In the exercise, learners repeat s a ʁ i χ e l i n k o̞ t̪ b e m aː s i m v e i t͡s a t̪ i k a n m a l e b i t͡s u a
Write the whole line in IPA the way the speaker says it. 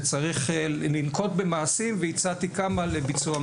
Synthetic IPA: t͡s a ʁ i χ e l i n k o̞ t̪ b e m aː s i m v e i t͡s a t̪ i k a m a l e b i t͡s u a